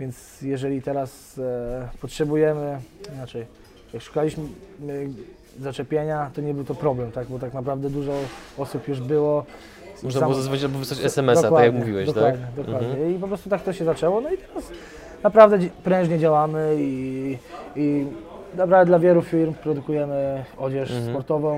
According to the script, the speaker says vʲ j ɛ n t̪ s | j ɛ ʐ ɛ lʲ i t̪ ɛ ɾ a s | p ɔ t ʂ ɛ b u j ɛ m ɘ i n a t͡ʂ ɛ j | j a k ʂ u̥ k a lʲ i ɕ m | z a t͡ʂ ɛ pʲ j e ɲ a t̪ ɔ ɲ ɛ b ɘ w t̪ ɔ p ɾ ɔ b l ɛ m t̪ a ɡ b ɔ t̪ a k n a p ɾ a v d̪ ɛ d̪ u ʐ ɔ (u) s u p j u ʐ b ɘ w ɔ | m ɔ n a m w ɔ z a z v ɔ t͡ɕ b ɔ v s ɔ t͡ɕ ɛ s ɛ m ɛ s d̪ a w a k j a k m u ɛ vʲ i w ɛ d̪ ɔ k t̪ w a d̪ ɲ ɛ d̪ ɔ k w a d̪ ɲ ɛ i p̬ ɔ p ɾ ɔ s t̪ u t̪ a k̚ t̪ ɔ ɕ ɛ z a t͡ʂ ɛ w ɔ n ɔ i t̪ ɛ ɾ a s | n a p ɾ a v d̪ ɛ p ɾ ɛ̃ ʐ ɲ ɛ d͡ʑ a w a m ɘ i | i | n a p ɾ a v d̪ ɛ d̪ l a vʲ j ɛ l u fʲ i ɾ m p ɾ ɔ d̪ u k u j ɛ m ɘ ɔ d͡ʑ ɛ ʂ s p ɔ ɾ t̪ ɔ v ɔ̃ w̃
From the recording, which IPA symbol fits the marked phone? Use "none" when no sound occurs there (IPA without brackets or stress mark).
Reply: ɔ